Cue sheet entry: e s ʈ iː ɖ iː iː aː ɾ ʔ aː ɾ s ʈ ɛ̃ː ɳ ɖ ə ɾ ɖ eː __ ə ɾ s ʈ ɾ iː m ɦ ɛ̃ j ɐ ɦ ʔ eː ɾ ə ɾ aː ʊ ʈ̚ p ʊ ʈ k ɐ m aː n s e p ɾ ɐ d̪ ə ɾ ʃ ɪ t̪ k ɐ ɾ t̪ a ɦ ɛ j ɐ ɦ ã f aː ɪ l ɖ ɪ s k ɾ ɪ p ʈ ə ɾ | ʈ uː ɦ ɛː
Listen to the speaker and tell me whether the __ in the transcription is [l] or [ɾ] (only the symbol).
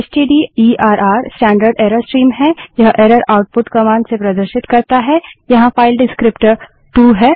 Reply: ɾ